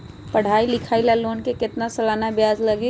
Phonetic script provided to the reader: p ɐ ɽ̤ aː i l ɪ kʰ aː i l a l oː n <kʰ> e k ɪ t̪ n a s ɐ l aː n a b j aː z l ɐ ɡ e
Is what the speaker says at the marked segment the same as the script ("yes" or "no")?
no